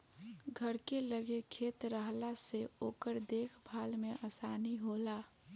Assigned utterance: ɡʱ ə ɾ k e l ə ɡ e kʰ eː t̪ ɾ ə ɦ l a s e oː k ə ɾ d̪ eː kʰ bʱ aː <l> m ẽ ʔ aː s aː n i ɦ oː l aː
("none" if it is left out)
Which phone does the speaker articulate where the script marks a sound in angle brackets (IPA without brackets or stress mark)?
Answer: l